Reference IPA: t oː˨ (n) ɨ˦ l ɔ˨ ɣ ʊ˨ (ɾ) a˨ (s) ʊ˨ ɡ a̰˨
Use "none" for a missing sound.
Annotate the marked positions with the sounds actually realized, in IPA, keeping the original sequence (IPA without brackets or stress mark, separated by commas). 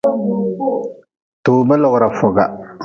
m, ɾ, f